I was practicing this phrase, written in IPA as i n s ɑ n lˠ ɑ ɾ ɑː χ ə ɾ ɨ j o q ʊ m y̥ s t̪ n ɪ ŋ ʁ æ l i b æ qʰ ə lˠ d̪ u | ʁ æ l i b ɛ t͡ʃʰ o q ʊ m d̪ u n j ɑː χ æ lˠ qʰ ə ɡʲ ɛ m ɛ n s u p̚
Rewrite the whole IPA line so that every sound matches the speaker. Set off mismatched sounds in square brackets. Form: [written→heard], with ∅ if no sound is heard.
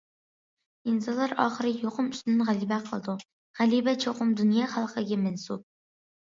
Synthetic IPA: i n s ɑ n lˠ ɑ ɾ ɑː χ ə ɾ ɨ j o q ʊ m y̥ s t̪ n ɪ [ŋ→n] ʁ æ l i b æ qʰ ə lˠ d̪ u | ʁ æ l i b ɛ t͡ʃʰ o q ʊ m d̪ u n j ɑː χ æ lˠ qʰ ə ɡʲ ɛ m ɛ n s u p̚